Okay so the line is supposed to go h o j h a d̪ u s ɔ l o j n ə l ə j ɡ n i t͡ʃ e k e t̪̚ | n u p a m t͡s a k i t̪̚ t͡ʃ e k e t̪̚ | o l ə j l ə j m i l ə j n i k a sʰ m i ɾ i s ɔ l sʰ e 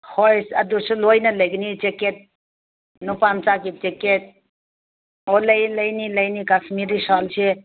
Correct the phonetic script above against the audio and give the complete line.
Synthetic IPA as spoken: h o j s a d̪ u s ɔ l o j n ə l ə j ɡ n i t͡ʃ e k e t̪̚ | n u p a m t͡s a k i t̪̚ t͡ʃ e k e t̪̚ | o l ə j l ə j n i l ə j n i k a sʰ m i ɾ i s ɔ l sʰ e